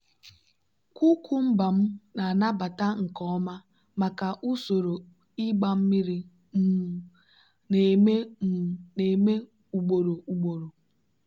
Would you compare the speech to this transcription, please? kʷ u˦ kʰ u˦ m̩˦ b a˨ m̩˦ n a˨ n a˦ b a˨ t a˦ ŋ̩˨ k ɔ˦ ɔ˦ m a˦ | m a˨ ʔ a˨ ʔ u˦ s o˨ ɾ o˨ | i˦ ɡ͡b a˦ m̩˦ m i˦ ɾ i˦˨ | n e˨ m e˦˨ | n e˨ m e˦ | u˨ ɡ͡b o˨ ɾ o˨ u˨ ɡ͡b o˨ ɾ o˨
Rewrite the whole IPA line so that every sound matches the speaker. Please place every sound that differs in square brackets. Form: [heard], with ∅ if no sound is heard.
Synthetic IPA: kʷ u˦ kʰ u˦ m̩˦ b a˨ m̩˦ n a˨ n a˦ b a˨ t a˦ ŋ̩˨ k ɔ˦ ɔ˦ m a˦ | m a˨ [k] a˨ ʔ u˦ s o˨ ɾ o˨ | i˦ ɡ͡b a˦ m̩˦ m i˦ ɾ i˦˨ | n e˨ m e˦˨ | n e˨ m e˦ | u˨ ɡ͡b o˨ ɾ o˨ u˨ ɡ͡b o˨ ɾ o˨